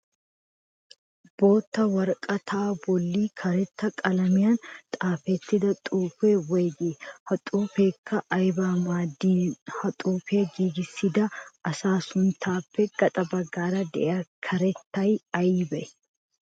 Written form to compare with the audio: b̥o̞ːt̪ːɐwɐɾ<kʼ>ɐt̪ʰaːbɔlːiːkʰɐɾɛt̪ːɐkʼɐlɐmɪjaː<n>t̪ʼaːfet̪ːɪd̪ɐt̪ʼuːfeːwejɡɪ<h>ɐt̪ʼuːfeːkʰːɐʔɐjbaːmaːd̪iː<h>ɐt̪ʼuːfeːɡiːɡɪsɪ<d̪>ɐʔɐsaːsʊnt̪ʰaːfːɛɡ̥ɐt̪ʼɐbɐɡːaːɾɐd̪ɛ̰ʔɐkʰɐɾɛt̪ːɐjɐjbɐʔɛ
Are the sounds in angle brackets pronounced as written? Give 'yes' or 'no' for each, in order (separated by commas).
yes, yes, yes, yes, yes